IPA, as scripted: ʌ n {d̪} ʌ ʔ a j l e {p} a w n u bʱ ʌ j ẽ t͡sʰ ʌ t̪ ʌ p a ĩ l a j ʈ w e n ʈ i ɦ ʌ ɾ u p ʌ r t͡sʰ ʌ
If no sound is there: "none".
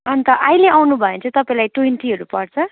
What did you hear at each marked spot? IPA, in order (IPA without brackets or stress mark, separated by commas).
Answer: t̪, none